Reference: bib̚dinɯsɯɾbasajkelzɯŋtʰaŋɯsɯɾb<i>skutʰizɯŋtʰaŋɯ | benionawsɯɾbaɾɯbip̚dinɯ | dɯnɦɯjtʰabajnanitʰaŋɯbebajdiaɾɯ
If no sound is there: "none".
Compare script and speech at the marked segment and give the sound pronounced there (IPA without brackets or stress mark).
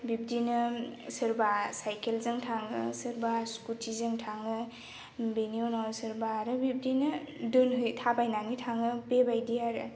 a